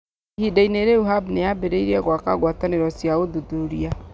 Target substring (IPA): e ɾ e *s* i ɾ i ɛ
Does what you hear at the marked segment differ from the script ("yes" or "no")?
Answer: yes